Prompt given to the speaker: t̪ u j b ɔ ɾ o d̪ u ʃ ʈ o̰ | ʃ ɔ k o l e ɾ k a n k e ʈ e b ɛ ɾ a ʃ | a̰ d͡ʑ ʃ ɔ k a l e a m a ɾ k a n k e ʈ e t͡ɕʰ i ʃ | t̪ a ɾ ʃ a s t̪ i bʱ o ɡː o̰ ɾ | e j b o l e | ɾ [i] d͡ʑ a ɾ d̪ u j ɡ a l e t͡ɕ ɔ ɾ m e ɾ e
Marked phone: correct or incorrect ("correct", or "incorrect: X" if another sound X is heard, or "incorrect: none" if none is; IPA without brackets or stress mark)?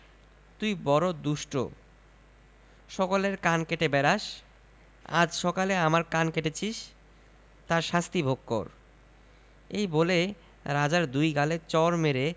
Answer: incorrect: a